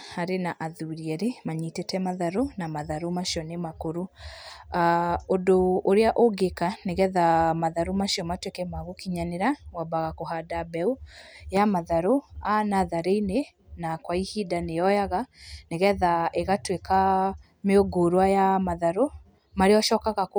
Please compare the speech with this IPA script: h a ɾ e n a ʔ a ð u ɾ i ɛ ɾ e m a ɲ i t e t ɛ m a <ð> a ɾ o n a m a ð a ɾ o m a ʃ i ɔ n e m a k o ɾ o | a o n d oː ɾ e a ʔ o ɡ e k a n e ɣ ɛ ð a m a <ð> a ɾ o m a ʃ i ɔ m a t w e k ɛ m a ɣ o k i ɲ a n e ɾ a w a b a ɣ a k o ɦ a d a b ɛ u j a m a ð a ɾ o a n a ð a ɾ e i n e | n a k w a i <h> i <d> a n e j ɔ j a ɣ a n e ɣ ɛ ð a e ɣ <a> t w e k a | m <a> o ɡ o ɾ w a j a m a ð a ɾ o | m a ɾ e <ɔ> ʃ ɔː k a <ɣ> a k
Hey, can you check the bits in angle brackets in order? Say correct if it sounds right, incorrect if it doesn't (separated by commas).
correct, correct, correct, correct, correct, incorrect, correct, correct